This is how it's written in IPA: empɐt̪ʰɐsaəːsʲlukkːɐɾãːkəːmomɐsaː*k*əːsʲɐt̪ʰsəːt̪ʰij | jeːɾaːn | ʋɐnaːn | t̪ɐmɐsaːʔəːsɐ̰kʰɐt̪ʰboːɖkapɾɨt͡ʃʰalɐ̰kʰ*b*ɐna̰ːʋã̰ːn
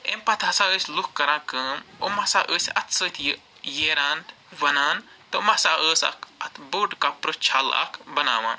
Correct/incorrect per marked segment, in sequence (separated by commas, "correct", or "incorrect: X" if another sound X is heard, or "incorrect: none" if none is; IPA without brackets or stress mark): incorrect: ʔ, correct